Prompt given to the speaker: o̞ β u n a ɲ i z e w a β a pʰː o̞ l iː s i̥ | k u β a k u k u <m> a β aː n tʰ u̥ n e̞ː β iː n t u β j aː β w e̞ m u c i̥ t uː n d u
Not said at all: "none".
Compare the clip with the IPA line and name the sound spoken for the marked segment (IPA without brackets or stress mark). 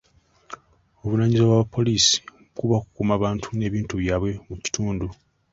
m